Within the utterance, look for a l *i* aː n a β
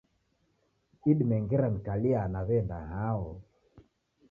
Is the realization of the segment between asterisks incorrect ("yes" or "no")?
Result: no